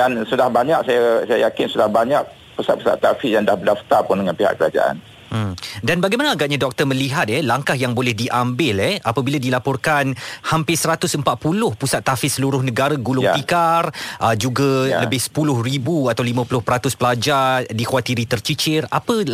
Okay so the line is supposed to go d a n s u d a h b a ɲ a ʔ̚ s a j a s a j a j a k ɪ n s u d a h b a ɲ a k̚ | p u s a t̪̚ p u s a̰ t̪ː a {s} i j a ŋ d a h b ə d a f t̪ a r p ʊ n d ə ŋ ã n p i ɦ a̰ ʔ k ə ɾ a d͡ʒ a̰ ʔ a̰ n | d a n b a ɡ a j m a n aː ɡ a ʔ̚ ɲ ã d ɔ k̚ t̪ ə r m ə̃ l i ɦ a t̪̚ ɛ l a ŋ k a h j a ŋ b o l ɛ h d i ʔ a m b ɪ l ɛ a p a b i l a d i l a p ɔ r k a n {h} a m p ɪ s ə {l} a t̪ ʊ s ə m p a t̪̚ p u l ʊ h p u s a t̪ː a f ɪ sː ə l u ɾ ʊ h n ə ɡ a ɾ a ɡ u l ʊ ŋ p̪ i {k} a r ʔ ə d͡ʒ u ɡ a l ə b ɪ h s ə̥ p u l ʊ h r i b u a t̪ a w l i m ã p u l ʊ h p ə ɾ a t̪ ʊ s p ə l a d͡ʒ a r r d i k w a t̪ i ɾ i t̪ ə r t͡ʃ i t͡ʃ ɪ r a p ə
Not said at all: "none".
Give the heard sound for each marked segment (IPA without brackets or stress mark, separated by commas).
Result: f, h, ɾ, k